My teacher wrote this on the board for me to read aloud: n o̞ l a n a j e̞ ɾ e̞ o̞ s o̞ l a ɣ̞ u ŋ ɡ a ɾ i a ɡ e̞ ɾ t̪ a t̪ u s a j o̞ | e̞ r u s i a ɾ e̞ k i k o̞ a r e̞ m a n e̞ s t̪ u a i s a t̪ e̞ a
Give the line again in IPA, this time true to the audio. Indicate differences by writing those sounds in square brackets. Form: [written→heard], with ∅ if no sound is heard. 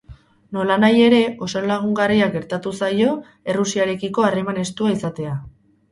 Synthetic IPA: n o̞ l a n a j e̞ ɾ e̞ o̞ s o̞ l a ɣ̞ u ŋ ɡ a [ɾ→r] i a ɡ e̞ ɾ t̪ a t̪ u s a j o̞ | e̞ r u s i a ɾ e̞ k i k o̞ a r e̞ m a n e̞ s t̪ u a i s a t̪ e̞ a